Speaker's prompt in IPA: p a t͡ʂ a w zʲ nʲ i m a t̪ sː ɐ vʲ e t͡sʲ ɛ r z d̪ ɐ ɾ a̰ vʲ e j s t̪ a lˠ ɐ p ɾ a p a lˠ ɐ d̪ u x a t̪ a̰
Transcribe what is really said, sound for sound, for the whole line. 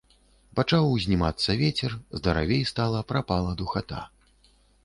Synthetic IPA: p a t͡ʂ a w zʲ nʲ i m a t̪ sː ɐ vʲ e t͡sʲ ɛ r z d̪ ɐ ɾ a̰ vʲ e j s t̪ a lˠ ɐ p ɾ a p a lˠ ɐ d̪ u x a t̪ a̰